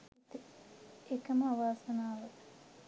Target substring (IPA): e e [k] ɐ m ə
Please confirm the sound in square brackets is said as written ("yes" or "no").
yes